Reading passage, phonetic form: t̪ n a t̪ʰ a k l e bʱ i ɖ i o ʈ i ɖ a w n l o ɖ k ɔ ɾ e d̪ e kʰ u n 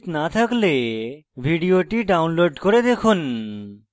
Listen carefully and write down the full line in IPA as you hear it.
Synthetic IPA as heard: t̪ n a t̪ʰ a k l e bʱ i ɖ i o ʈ i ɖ a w n l o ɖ k o ɾ e d̪ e kʰ u n